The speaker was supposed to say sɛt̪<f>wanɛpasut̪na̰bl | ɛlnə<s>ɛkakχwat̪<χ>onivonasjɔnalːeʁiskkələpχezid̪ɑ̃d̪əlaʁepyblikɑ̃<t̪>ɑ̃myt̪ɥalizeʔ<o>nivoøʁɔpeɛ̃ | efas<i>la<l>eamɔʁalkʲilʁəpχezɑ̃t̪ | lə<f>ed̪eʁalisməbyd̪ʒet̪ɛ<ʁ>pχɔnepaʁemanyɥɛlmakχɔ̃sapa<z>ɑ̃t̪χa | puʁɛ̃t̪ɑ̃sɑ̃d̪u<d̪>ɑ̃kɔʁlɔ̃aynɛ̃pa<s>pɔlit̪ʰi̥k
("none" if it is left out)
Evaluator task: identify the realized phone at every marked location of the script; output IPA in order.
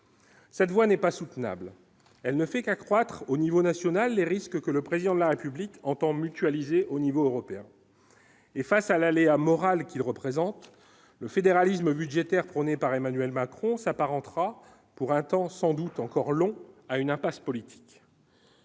v, f, χ, t̪, o, a, l, f, ʁ, ʁ, t̪, s

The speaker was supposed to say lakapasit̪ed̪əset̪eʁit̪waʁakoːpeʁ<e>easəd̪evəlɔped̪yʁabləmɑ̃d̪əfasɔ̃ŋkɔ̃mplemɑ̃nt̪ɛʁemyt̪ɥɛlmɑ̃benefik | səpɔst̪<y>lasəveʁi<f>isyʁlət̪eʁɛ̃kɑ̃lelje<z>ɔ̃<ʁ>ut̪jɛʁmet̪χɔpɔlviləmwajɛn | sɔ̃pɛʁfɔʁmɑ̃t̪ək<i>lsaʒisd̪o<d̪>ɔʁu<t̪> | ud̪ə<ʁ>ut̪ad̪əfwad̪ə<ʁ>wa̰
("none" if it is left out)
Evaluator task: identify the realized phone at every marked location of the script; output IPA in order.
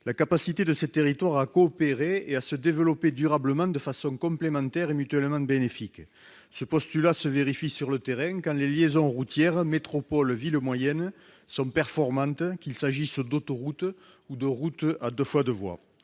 e, y, f, z, ʁ, i, t̪, t̪, ʁ, v

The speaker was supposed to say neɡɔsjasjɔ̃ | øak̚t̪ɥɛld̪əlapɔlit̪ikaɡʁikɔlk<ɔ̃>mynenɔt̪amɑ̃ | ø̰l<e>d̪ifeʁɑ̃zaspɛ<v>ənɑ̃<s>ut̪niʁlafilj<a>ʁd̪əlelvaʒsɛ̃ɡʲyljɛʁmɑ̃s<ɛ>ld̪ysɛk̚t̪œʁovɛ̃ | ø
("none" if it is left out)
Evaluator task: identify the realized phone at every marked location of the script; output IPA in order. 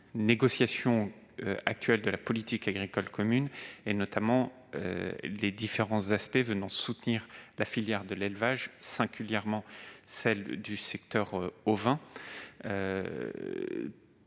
ɔ, e, v, s, ɛ, ɛ

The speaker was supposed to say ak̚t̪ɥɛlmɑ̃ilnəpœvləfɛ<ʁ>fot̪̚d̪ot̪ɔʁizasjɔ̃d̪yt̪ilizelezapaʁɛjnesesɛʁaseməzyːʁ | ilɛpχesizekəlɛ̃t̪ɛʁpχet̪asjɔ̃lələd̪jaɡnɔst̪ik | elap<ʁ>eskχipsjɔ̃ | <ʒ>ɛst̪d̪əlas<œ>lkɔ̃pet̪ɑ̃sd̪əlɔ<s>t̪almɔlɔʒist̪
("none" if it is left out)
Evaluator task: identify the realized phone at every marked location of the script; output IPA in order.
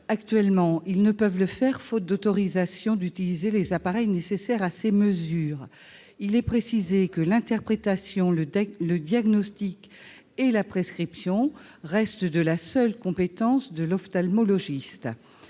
ʁ, χ, ʁ, œ, f

